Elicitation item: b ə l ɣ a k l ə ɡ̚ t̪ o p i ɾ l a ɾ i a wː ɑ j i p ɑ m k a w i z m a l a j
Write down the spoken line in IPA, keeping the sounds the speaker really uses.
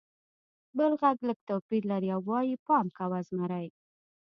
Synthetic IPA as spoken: b ə l ɣ a ɡ l ə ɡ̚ t̪ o p i ɾ l a ɾ i a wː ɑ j i p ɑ m k a w a z m a ɾ a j